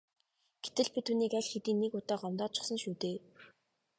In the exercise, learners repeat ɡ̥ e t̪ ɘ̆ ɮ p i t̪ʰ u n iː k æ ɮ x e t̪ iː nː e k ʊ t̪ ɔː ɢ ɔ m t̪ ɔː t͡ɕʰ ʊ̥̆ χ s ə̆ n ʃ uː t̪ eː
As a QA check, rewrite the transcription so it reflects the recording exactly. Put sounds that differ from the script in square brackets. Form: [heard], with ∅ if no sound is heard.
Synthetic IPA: ɡ̥ e t̪ ɘ̆ ɮ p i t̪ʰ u n iː k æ ɮ x e t̪ iː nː e k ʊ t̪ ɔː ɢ ɔ m t̪ ɔː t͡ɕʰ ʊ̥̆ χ s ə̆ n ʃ uː t̪ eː